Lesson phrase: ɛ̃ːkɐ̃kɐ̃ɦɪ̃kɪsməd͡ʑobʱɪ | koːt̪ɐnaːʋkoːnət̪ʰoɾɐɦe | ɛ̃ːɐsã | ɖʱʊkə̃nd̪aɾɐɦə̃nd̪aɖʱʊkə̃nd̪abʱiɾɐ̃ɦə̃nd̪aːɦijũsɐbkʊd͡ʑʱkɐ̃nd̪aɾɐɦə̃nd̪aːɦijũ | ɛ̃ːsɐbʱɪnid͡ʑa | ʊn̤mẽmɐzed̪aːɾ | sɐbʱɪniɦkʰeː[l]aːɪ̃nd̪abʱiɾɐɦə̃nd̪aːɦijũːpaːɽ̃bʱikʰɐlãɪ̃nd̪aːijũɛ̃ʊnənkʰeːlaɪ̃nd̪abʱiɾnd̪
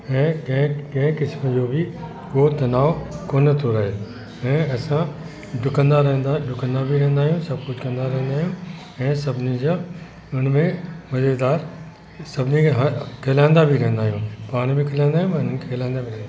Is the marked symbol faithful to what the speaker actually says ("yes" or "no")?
yes